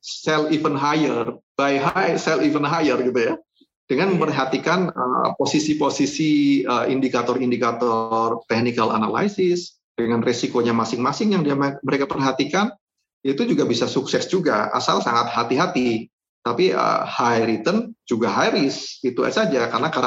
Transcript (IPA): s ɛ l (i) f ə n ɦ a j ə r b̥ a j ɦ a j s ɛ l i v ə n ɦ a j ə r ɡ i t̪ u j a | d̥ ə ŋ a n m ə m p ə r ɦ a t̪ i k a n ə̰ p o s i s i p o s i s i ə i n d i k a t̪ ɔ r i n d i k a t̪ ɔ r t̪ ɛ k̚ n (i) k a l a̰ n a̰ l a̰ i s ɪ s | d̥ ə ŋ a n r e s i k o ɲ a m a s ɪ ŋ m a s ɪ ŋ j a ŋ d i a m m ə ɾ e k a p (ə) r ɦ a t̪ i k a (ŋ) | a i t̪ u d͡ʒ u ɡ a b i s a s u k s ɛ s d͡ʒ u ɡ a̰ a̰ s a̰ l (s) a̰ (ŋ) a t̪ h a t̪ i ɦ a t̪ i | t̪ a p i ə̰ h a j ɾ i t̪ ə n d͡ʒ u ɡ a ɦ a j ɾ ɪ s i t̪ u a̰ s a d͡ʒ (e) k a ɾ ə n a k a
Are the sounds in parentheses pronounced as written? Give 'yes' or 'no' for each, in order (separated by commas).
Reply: yes, yes, yes, no, yes, yes, no